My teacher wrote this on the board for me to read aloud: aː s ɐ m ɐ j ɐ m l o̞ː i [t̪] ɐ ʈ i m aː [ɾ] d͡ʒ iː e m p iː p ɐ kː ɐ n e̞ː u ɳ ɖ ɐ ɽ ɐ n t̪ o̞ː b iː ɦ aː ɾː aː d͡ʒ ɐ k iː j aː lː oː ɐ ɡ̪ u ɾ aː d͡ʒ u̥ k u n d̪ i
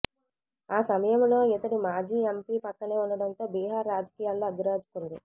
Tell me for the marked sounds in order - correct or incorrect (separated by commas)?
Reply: correct, incorrect